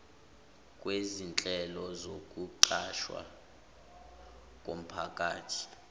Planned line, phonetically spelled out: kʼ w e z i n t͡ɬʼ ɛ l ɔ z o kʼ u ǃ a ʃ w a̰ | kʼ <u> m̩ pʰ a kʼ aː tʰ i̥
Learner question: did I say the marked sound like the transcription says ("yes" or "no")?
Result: no